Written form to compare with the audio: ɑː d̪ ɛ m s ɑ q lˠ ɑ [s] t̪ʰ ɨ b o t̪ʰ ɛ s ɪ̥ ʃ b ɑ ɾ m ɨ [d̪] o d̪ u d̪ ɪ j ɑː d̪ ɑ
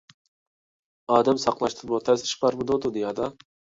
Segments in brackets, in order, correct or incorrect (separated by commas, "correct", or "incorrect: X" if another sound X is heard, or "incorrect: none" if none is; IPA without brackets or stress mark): incorrect: ʃ, correct